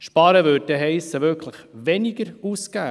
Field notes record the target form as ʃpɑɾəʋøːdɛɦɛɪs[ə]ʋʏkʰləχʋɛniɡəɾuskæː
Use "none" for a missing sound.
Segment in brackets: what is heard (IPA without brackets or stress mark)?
ə